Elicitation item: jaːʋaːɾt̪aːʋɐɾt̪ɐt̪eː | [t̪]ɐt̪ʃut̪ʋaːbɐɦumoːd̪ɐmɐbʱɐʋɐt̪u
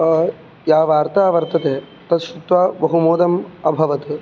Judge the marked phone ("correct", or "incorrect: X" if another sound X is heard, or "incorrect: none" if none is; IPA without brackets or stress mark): correct